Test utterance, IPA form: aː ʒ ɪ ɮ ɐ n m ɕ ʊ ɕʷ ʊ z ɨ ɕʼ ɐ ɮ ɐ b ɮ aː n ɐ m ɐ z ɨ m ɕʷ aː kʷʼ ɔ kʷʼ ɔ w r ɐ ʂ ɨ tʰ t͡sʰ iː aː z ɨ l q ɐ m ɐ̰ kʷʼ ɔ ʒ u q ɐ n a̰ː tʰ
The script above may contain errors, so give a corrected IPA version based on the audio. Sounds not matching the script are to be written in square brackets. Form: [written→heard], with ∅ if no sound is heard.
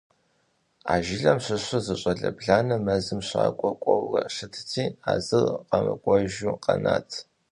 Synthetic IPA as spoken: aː ʒ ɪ ɮ ɐ [n→∅] m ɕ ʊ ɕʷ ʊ z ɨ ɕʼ ɐ ɮ ɐ b ɮ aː n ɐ m ɐ z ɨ m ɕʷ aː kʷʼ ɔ kʷʼ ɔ w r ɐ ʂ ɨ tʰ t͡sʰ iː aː z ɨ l q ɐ m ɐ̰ kʷʼ ɔ ʒ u q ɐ n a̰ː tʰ